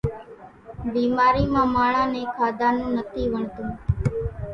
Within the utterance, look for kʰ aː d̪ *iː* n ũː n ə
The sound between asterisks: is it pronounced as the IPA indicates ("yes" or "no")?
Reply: no